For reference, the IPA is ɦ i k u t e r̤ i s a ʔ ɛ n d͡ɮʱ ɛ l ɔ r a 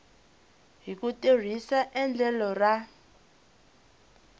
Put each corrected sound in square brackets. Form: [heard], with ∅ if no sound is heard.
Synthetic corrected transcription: ɦ i k u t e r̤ i s a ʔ ɛ n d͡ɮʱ ɛ l ɔ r a